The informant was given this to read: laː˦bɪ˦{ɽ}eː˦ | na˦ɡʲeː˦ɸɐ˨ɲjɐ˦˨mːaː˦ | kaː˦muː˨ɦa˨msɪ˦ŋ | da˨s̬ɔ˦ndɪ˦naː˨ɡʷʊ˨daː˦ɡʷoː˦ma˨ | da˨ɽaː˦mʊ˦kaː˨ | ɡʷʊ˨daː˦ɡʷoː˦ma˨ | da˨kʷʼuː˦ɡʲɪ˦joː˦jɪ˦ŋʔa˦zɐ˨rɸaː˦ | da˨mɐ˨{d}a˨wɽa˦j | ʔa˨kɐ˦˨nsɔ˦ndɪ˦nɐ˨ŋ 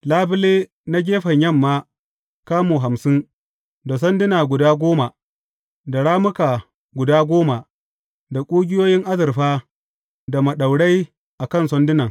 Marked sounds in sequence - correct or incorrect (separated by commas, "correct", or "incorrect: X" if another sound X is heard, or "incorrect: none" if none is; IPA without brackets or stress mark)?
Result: incorrect: l, incorrect: ɗ